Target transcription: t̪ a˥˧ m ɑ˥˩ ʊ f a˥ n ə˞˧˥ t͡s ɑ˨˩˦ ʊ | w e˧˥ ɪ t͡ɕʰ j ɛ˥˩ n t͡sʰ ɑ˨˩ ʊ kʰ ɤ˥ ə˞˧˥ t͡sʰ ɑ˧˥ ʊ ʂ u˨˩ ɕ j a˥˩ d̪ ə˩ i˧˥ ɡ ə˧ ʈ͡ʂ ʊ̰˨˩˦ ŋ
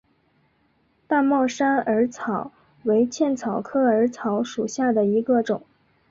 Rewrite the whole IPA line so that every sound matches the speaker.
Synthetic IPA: t̪ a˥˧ m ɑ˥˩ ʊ ʂ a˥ n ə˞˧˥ t͡sʰ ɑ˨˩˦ ʊ | w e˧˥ ɪ t͡ɕʰ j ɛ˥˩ n t͡sʰ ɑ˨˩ ʊ kʰ ɤ˥ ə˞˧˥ t͡sʰ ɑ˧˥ ʊ ʂ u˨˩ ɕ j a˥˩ d̪ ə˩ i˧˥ ɡ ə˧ ʈ͡ʂ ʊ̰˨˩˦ ŋ